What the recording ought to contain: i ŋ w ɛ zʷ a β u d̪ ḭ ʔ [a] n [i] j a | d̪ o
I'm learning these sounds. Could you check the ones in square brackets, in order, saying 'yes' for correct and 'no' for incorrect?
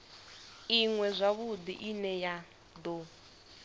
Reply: no, no

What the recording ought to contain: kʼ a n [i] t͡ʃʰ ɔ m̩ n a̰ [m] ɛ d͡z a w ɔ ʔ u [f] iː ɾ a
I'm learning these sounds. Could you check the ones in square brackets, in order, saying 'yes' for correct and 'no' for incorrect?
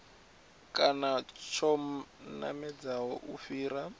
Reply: no, yes, yes

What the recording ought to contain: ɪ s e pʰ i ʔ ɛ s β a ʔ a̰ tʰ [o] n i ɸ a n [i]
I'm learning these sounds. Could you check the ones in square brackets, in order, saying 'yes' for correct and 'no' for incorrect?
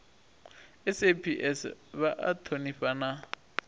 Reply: yes, no

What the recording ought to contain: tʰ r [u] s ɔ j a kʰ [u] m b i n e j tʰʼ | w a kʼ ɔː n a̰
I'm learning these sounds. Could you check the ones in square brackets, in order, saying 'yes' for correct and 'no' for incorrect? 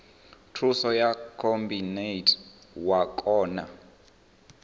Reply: yes, no

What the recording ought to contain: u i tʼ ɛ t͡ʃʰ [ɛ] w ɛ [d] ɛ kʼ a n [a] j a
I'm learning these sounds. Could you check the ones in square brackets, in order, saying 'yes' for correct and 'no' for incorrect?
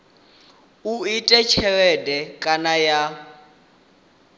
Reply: yes, yes, yes

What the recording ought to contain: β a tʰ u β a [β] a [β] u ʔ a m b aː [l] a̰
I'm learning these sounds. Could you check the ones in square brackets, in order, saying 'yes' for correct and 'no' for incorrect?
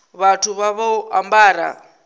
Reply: yes, no, no

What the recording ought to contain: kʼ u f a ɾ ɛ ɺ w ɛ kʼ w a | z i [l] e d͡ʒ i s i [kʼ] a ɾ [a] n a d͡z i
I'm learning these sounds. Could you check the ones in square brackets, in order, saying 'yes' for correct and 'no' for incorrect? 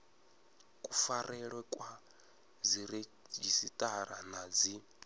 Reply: no, no, yes

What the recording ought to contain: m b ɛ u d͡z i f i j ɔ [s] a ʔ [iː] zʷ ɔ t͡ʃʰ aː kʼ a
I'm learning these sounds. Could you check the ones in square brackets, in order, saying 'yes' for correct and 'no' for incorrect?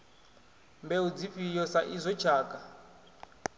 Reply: yes, no

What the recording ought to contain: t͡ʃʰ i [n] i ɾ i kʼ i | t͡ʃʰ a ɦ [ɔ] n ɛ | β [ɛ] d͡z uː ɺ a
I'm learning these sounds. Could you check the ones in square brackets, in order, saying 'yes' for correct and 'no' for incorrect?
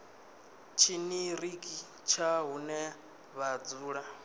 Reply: yes, no, no

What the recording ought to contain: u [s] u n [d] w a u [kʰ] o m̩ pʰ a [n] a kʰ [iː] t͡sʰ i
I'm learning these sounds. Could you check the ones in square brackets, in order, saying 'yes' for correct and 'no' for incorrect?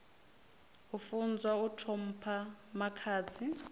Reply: no, no, no, no, no

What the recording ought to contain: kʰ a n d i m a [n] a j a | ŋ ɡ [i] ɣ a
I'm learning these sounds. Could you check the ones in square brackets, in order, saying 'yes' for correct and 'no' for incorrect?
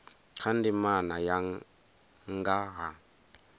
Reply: yes, no

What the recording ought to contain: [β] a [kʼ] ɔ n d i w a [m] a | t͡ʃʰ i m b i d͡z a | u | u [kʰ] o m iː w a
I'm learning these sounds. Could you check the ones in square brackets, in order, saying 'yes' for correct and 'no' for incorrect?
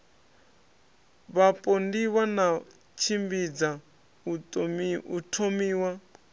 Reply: yes, no, no, no

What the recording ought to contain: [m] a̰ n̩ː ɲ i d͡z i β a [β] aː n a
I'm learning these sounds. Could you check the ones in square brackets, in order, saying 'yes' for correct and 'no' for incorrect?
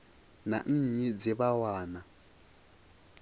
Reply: no, no

